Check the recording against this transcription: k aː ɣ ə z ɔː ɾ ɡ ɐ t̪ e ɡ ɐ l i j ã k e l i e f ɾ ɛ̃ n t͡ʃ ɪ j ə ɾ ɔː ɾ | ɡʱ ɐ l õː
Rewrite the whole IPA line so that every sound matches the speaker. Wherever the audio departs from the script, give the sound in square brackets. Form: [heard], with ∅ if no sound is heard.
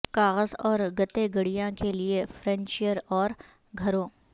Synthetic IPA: k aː ɣ ə z ɔː ɾ ɡ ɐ t̪ e ɡ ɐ [ɽ] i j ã k e l i e f ɾ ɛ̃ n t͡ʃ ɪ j ə ɾ ɔː ɾ | ɡʱ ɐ [ɾ] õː